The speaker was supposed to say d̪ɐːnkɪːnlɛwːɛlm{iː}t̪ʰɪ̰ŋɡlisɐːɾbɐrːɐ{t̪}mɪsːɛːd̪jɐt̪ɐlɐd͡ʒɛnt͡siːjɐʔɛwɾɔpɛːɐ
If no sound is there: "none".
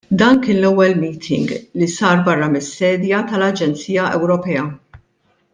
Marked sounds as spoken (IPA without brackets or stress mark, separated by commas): iː, none